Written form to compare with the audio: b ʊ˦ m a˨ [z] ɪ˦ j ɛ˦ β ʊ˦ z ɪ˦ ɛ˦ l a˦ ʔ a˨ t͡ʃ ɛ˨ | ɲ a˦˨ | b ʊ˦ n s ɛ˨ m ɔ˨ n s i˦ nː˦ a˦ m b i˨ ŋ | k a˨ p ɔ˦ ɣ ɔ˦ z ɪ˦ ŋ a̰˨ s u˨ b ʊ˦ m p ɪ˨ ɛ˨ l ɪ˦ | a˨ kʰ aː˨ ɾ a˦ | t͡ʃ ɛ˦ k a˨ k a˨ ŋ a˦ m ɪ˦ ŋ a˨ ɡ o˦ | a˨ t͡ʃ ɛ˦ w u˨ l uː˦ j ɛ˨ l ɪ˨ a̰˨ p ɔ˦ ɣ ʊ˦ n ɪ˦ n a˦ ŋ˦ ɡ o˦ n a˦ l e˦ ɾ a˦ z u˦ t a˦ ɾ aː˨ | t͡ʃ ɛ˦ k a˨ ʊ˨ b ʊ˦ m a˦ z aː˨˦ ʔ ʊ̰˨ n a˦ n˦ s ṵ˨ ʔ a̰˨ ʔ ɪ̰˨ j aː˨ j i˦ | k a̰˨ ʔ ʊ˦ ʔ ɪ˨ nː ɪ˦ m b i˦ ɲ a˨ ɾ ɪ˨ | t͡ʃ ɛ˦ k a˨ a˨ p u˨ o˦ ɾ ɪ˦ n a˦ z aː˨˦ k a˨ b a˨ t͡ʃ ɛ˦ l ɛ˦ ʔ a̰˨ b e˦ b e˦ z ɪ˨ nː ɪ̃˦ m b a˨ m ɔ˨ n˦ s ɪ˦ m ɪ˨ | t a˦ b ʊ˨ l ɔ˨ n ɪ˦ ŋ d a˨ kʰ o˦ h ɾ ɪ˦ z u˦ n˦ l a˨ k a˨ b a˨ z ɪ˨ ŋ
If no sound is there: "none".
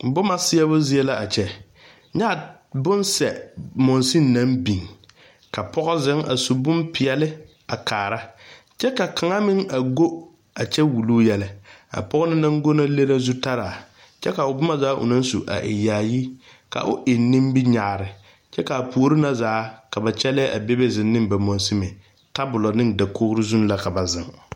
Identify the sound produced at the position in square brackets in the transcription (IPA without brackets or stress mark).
s